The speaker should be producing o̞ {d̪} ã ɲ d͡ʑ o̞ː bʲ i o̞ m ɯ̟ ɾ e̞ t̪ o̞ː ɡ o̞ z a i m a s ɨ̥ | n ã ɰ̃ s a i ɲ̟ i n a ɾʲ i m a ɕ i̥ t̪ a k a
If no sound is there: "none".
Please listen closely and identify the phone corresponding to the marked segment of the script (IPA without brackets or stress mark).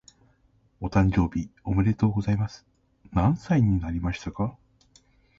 t̪